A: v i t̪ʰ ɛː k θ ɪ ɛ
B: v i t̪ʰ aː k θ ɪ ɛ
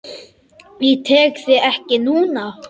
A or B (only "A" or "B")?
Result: A